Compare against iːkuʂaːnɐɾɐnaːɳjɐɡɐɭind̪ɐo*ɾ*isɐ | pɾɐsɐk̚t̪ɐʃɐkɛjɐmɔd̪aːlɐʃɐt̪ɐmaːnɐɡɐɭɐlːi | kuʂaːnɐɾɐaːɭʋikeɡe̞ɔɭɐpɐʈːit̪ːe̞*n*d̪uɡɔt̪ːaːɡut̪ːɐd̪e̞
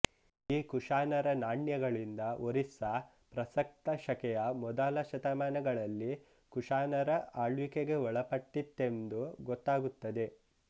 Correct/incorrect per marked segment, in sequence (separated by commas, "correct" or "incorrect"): correct, correct